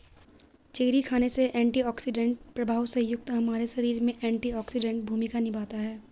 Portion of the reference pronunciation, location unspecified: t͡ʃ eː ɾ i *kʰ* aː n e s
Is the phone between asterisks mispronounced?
no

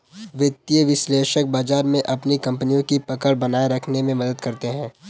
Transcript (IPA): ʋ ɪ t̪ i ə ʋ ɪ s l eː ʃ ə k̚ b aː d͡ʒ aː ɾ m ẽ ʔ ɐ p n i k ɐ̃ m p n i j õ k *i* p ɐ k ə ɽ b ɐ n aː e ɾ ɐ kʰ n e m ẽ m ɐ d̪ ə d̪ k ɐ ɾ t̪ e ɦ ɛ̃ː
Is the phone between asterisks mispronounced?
no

